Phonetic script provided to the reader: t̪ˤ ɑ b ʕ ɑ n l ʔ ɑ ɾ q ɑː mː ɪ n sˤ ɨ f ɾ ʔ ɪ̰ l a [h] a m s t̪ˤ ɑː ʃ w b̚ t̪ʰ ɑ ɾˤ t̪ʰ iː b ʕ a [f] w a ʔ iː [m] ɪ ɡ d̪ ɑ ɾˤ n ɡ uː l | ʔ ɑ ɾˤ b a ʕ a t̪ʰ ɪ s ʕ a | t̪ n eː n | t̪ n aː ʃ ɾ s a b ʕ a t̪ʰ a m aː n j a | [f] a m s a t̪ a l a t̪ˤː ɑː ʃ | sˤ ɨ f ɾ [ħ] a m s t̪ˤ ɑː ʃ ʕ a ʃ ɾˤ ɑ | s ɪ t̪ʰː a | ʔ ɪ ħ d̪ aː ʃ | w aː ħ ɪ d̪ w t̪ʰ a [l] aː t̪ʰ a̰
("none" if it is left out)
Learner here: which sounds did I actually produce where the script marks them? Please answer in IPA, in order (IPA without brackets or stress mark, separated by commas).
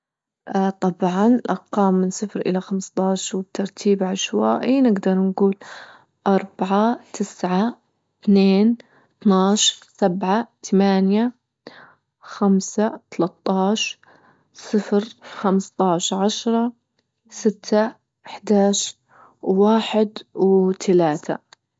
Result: x, ʃ, n, x, x, l